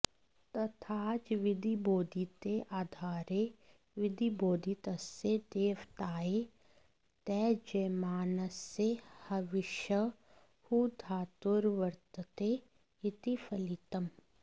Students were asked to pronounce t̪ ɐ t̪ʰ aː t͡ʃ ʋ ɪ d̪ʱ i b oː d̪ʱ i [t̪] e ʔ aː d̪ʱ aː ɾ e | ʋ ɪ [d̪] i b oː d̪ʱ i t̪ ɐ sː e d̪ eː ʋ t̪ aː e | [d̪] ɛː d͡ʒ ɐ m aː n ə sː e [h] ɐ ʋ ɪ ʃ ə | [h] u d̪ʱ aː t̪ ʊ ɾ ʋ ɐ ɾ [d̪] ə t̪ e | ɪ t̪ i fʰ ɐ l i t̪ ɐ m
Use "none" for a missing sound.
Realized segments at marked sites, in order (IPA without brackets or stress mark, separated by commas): t̪, d̪, t̪, h, h, t̪